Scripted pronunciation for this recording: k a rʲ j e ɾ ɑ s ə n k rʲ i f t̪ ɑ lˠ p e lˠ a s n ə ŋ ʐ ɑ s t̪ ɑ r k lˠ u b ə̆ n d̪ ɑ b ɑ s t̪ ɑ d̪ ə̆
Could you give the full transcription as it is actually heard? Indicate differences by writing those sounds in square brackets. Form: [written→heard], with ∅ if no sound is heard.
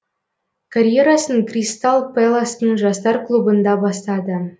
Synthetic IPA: k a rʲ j e ɾ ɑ s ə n k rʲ i [f→s] t̪ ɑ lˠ p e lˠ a s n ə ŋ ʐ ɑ s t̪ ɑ r k lˠ u b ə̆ n d̪ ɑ b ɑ s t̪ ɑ d̪ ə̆